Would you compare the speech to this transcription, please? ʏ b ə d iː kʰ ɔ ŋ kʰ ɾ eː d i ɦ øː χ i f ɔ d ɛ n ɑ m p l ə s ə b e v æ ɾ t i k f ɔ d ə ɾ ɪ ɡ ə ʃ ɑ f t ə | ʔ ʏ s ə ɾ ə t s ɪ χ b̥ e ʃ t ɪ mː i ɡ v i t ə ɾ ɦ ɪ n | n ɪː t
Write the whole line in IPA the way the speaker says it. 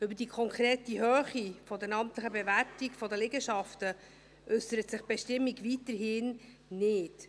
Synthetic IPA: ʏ b ə d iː kʰ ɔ ŋ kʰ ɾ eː t i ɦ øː χ i f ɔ d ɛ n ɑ m t l ə χ ə b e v æ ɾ t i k f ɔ d ə l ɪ ɡ ə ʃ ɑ f t ə | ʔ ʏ s ə ɾ ə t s ɪ χ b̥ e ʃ t ɪ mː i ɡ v i t ə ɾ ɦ ɪ n | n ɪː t

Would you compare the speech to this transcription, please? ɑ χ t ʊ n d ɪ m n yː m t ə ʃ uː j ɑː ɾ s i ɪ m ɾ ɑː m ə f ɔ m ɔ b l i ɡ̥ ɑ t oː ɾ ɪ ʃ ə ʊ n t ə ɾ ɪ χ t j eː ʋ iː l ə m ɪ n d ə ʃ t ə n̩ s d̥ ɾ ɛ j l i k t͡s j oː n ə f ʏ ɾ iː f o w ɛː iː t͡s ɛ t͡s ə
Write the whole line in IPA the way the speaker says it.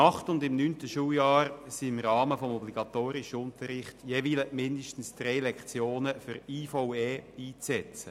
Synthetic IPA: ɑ χ t ʊ n d ɪ m n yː n t ə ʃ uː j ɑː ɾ s i ɪ m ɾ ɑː m ə f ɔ m ɔ b l i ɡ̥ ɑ t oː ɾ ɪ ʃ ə ʊ n t ə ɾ ɪ χ t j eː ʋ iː l ə m ɪ n d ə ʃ t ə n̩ s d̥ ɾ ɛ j l ɛ k t͡s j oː n ə f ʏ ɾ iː f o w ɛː iː t͡s ɛ t͡s ə

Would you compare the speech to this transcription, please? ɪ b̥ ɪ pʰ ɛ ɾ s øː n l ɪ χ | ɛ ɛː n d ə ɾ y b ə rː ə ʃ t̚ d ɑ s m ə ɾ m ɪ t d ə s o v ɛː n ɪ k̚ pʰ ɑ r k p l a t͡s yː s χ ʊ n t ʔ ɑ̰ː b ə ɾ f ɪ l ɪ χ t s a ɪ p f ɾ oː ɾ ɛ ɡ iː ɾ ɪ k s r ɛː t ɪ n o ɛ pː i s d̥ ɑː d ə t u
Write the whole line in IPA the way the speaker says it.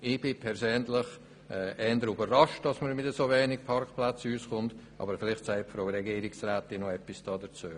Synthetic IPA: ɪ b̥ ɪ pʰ ɛ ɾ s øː n l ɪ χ | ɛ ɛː n d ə ɾ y b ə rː ɑ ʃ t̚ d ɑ s m ə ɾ m ɪ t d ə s o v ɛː n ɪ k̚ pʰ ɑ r k p l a t͡s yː s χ ʊ n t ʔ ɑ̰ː b ə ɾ f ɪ l ɪ χ t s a ɪ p f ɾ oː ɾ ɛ ɡ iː ɾ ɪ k s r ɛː t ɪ n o ɛ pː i s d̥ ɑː d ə t͡s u

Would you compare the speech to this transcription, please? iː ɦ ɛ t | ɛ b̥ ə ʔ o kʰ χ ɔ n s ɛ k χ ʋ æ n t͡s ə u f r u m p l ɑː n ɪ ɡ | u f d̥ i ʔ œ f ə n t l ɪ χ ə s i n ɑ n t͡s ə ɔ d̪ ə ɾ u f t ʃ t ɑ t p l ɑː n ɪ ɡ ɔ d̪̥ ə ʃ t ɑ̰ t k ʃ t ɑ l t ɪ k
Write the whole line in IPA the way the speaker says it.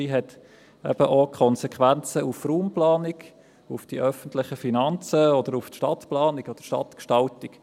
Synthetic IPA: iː ɦ ɛ t | ɛ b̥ ə ʔ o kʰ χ ɔ n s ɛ k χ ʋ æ n t͡s ə u f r uː m p l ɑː n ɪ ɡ | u f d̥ i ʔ œ f ə n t l ɪ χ ə f i n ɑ n t͡s ə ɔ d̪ ə ɾ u f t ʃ t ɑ t p l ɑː n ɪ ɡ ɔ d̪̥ ə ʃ t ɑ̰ t k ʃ t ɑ l t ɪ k

